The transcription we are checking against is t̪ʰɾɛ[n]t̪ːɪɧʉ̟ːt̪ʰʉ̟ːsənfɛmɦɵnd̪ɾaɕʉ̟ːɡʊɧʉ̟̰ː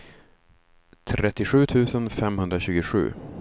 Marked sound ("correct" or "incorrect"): incorrect